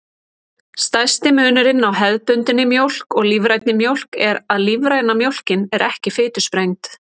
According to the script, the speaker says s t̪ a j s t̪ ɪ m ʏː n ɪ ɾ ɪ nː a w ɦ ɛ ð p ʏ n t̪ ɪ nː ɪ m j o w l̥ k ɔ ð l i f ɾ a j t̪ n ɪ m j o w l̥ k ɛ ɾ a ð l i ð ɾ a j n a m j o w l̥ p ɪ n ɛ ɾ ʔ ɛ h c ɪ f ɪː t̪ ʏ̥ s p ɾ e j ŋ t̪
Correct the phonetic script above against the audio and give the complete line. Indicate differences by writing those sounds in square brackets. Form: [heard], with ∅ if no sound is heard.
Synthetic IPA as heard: s t̪ a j s t̪ ɪ m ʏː n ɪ ɾ ɪ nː a w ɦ ɛ ð p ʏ n t̪ ɪ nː ɪ m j o w l̥ k ɔ [ɣ] l i [v] ɾ a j t̪ n ɪ m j o w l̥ k ɛ ɾ a ð l i [v] ɾ a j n a m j o w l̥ [c] ɪ n ɛ ɾ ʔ ɛ h c ɪ f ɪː t̪ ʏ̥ s p ɾ e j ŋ t̪